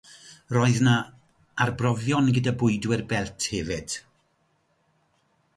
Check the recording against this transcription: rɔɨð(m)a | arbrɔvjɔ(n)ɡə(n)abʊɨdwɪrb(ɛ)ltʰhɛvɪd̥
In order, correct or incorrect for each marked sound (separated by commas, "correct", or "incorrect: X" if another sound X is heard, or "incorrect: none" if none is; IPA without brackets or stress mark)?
incorrect: n, correct, incorrect: d, correct